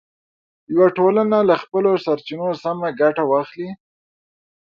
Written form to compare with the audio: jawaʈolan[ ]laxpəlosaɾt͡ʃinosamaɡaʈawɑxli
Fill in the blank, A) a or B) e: A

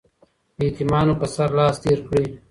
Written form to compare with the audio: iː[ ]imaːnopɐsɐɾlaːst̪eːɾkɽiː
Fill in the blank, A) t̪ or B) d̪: A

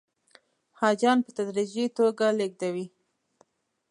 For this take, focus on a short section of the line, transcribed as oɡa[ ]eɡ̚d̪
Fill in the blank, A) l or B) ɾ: A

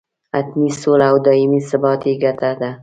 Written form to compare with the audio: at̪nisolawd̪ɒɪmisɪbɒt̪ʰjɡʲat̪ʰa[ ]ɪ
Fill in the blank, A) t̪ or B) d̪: B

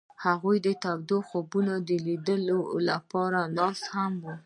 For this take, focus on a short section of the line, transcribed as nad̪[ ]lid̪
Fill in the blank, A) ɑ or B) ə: B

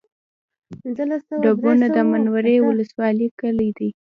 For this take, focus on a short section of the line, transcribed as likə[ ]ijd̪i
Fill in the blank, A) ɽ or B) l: B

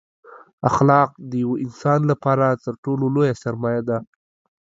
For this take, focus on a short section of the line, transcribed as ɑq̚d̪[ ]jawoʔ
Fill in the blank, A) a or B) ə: B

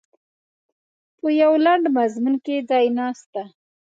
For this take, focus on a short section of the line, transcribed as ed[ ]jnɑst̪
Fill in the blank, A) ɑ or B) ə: A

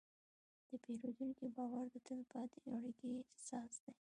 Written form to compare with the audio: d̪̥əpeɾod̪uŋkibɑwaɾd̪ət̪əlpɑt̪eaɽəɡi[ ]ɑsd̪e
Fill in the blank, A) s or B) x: A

